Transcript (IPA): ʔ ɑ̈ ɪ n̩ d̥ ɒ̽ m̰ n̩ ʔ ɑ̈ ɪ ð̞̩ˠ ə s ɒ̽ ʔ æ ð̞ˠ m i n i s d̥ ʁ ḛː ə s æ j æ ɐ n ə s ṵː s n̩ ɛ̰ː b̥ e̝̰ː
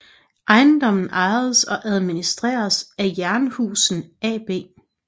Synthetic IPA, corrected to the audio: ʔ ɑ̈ ɪ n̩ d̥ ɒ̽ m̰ n̩ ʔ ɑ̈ ɪ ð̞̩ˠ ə s ɒ̽ ʔ æ ð̞ˠ m i n i s d̥ ʁ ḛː ɐ s æ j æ ɐ n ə h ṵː s n̩ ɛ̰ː b̥ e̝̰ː